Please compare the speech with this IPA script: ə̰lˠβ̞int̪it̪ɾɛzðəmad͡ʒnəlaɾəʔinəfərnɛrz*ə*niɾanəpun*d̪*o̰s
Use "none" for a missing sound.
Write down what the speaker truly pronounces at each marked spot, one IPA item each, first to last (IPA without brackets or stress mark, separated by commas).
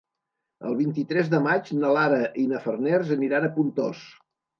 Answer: ə, t̪